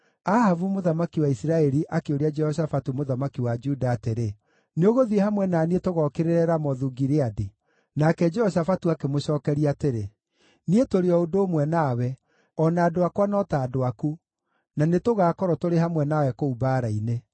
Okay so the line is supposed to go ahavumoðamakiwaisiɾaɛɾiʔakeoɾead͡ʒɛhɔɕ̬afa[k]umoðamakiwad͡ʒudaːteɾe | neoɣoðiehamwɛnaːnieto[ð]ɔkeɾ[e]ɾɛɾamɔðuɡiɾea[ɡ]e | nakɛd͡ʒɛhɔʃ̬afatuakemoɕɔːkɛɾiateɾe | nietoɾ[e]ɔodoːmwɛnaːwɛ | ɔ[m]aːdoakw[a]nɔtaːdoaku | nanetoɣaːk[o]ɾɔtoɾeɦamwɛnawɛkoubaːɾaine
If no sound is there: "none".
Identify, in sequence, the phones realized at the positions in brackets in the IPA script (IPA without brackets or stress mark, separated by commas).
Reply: t, ɣ, e, d, e, n, a, ɔ